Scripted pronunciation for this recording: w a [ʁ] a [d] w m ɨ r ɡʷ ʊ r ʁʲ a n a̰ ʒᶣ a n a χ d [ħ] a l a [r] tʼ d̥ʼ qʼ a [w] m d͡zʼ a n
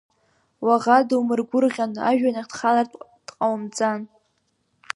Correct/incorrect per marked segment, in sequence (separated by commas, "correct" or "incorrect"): correct, correct, incorrect, correct, correct